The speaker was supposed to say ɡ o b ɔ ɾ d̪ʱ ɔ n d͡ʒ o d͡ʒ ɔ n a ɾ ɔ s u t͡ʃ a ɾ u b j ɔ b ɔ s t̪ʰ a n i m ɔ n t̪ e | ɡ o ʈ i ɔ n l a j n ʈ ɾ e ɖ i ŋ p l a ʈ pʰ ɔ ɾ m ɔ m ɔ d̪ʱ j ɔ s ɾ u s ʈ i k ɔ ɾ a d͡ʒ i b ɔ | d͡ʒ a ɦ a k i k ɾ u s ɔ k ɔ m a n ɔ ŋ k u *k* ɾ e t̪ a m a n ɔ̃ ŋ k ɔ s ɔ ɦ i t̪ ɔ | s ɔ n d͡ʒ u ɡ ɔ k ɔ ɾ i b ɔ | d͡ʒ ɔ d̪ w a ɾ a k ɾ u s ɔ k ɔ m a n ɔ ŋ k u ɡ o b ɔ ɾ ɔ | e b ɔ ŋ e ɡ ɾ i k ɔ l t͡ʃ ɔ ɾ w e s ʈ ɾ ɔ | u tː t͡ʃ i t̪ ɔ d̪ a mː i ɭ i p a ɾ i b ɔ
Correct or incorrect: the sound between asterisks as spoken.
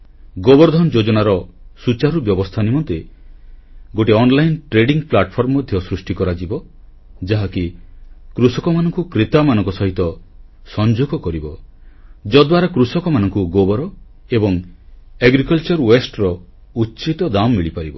correct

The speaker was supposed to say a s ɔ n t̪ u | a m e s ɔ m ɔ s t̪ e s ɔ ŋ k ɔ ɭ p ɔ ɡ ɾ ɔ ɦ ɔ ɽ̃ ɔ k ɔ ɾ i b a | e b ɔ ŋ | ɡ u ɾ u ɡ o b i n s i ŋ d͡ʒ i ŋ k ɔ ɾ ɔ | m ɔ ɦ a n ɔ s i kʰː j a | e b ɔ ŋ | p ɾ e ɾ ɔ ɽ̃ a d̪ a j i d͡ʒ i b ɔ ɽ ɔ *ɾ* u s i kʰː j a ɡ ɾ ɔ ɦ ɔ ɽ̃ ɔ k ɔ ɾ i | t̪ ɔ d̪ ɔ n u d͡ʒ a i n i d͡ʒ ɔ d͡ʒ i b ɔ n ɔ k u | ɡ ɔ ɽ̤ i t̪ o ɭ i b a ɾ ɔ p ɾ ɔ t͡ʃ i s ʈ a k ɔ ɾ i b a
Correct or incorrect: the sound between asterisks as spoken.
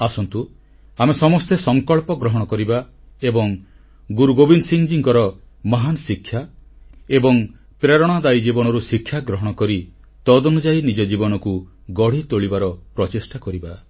correct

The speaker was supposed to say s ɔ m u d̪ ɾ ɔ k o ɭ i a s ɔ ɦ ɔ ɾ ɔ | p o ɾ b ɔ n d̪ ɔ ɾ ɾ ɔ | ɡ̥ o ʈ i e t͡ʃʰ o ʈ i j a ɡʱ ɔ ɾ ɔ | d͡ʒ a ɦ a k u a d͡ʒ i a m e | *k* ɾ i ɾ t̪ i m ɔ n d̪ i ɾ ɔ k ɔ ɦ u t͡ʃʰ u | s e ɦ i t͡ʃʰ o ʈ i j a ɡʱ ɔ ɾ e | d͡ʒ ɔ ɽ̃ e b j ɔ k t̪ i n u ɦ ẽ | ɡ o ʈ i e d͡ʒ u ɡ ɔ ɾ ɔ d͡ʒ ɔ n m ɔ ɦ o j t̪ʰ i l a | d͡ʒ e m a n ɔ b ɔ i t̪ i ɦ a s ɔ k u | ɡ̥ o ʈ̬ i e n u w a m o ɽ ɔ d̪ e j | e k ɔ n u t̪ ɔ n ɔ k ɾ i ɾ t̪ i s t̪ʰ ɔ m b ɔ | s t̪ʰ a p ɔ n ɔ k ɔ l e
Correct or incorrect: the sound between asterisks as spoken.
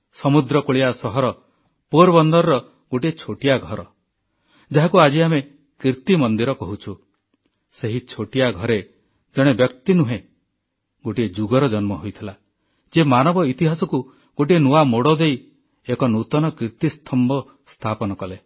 correct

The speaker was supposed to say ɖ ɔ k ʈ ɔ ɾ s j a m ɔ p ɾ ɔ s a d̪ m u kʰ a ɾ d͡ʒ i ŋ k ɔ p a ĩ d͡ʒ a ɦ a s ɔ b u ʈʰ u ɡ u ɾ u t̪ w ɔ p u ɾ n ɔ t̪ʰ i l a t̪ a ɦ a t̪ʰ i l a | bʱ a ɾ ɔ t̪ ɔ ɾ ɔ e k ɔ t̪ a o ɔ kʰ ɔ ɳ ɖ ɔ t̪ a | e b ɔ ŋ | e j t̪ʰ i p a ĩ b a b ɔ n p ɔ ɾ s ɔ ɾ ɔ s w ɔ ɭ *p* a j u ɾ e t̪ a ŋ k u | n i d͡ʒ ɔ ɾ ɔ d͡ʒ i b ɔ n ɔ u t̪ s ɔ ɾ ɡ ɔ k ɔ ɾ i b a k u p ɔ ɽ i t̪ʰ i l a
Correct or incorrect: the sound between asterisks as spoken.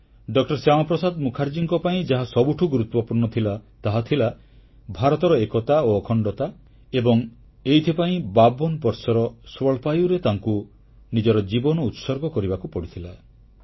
correct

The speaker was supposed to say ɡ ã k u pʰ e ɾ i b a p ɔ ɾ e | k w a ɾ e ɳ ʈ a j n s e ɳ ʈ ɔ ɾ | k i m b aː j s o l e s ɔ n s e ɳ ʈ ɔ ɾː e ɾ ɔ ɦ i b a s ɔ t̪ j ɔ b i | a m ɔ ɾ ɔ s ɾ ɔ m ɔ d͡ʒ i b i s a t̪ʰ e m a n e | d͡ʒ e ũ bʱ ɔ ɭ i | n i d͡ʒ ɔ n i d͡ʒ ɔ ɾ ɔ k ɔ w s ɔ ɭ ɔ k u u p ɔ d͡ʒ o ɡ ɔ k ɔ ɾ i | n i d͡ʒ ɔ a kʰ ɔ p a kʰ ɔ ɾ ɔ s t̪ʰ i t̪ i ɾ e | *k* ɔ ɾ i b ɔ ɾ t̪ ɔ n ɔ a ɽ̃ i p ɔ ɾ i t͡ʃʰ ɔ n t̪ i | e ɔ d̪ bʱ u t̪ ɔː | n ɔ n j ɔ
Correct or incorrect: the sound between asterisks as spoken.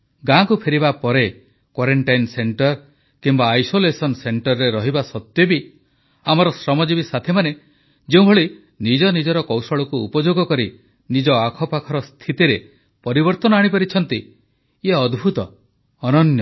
incorrect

